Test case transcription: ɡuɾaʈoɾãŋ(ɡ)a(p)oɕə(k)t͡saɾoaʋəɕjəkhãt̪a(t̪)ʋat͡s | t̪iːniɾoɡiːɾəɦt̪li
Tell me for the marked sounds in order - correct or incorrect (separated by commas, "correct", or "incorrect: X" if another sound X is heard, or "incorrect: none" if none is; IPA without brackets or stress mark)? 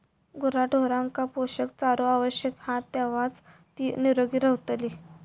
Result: incorrect: k, correct, correct, incorrect: none